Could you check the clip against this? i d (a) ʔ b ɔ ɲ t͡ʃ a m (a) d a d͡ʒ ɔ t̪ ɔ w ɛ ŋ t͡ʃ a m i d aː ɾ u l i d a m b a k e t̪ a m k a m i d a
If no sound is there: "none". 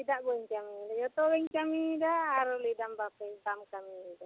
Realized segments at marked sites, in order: a, i

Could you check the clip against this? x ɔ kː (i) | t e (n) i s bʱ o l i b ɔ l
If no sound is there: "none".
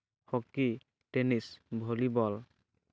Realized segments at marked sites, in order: i, n

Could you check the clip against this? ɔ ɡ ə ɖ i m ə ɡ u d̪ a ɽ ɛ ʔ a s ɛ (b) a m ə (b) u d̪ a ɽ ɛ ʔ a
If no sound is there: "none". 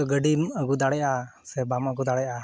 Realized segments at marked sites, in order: b, ɡ

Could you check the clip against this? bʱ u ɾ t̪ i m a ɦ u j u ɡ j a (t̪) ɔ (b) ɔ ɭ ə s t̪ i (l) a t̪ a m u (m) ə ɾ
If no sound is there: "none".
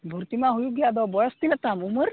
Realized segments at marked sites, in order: d̪, b, l, m

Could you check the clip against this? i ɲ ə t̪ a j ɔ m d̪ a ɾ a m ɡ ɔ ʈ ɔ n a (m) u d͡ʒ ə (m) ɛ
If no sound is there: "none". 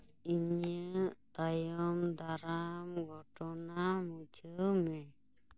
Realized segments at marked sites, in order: m, m

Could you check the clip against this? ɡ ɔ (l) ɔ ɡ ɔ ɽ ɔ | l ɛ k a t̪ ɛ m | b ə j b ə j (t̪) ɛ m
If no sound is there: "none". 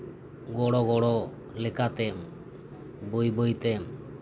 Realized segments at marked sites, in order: ɽ, t̪

